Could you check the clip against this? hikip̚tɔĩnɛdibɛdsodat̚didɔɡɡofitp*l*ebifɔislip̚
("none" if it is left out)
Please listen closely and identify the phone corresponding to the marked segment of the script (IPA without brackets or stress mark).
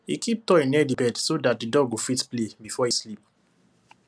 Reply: l